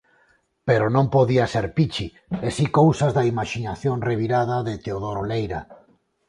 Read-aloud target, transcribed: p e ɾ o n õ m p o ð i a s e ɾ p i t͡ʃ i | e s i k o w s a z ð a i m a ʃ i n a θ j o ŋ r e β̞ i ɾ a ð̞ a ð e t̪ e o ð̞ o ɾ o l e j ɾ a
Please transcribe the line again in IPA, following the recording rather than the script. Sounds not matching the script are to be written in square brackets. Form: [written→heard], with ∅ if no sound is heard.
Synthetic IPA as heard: p e ɾ o n õ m p o ð i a s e ɾ p i t͡ʃ i | e s i k o w s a z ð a i m a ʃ i n a θ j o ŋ r e β̞ i ɾ a ð̞ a ð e t̪ e o ð̞ o ɾ o l e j ɾ a